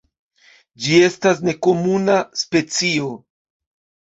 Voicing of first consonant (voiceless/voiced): voiced